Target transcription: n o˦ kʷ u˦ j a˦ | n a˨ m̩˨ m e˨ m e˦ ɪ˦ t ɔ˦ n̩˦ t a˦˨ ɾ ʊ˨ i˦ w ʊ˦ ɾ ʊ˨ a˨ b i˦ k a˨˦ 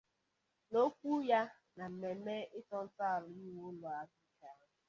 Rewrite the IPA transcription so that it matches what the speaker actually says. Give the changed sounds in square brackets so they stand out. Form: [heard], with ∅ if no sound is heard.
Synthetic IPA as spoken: n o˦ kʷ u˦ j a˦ | n a˨ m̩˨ m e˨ m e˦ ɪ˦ t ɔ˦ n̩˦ t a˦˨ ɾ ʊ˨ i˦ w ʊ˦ [l] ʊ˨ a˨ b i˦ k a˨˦